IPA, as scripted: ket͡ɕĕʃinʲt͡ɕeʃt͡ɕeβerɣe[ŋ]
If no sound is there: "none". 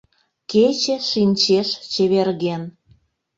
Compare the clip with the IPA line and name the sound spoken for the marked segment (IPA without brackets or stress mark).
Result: n